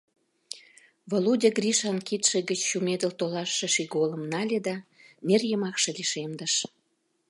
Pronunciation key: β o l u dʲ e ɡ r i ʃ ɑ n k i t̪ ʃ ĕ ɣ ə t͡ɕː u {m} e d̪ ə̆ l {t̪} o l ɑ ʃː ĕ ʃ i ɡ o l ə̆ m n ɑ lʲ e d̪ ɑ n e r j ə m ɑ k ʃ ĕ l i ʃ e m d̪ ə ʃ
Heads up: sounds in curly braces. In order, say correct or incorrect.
correct, correct

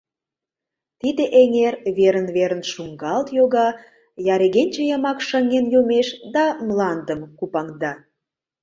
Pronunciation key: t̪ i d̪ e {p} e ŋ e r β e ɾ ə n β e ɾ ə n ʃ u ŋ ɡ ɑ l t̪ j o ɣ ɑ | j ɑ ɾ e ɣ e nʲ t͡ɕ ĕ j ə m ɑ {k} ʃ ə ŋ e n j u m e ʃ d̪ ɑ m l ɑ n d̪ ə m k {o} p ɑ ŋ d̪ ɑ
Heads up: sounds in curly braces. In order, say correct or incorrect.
incorrect: ʔ, correct, incorrect: u

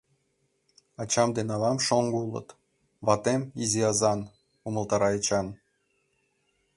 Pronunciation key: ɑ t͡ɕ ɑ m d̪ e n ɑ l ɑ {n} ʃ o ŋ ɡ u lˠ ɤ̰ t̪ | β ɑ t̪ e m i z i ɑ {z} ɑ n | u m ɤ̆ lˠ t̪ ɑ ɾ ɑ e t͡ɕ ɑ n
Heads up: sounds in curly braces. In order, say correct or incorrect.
incorrect: m, correct

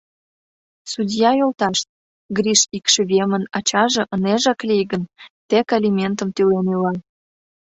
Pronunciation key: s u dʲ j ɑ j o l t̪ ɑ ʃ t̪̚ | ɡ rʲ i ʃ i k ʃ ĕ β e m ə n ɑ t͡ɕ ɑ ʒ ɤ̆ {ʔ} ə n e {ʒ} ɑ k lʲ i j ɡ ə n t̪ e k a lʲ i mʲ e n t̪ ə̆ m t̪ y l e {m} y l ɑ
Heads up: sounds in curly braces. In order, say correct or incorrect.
correct, correct, incorrect: n

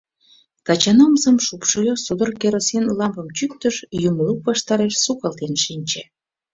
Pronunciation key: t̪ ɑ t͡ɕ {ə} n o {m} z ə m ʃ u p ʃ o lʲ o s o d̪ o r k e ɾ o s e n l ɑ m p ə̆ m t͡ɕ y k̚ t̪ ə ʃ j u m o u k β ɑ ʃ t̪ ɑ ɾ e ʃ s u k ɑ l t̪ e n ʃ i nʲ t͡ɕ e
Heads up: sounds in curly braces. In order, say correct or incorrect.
incorrect: ɑ, correct

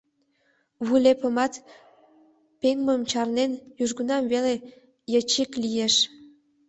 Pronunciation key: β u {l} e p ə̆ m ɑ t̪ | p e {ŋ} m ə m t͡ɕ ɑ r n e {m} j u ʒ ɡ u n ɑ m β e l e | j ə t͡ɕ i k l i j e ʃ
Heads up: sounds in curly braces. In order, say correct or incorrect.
correct, correct, incorrect: n

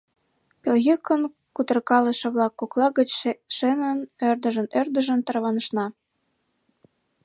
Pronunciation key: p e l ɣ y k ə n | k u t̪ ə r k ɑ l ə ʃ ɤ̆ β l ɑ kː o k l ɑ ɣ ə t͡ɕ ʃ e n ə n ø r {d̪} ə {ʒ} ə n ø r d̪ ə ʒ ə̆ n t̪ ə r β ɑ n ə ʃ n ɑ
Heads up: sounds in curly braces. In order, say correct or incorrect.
correct, correct

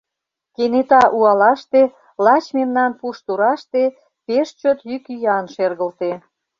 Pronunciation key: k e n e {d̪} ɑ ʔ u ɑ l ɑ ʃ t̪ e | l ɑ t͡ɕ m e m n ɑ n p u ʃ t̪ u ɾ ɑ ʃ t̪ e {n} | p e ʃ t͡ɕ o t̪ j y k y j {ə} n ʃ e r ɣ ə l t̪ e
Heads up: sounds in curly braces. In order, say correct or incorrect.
incorrect: t̪, incorrect: none, incorrect: ɑ

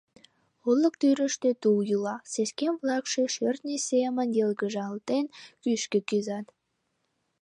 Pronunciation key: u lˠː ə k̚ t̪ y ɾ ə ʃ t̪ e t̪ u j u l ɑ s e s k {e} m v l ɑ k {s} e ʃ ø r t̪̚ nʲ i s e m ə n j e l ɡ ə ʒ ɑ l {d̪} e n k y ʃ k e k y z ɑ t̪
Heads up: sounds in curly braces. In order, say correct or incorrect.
correct, incorrect: ʃ, incorrect: t̪

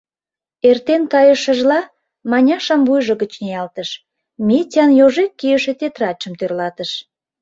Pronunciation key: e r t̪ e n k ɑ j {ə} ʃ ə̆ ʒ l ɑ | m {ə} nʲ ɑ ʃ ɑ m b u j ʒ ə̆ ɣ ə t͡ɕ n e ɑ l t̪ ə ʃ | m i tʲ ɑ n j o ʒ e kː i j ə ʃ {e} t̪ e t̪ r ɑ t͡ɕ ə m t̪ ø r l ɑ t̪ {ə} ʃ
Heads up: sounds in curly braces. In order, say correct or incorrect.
correct, incorrect: ɑ, correct, correct

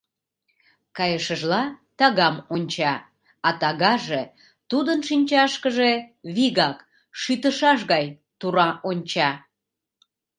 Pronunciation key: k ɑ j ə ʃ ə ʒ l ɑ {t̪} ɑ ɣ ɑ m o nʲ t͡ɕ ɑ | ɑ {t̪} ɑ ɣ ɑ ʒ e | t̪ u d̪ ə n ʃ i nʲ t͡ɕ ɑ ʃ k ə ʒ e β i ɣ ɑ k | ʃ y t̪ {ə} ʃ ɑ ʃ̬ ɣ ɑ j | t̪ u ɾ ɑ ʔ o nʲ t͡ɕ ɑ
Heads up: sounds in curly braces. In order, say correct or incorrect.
correct, correct, correct

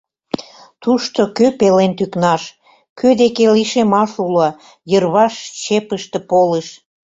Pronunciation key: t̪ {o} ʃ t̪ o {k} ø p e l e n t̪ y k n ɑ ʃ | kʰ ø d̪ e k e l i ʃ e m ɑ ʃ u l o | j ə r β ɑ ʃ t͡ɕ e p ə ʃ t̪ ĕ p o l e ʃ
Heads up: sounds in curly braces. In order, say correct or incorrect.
incorrect: u, correct

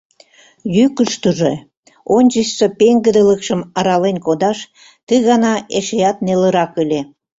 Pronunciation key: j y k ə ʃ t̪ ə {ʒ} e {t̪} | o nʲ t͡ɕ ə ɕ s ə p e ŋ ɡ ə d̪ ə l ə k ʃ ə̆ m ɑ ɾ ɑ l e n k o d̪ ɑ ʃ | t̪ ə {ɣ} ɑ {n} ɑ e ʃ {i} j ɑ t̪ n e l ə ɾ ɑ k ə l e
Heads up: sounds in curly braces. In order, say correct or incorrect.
correct, incorrect: none, correct, correct, incorrect: e

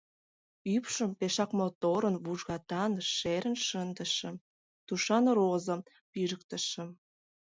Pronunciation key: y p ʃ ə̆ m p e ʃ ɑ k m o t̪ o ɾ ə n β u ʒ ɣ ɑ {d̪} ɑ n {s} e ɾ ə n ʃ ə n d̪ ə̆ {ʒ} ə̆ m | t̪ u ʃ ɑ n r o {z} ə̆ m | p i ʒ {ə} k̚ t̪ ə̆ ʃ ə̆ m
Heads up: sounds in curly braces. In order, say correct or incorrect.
incorrect: t̪, incorrect: ʃ, incorrect: ʃ, correct, correct

